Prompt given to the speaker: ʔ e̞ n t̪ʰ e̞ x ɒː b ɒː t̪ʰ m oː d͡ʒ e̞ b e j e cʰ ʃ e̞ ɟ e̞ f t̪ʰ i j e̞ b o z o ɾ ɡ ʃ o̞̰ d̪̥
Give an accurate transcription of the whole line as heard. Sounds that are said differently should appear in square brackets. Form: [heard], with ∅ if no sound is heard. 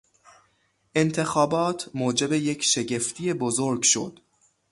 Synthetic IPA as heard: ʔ e̞ n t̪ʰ e̞ x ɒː b ɒː t̪ʰ m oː d͡ʒ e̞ b e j e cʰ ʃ e̞ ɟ e̞ f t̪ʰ i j e̞ b o z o ɾ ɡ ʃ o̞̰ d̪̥